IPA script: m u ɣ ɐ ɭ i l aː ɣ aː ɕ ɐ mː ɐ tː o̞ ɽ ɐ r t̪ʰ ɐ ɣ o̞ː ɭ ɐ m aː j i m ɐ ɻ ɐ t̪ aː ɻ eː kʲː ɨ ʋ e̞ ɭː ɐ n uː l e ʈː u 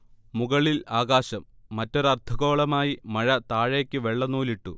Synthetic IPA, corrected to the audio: m u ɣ ɐ ɭ i l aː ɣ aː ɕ ɐ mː ɐ tː o̞ ɾ ɐ r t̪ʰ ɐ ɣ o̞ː ɭ ɐ m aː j i m ɐ ɻ ɐ t̪ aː ɻ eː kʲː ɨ ʋ e̞ ɭː ɐ n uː l i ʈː u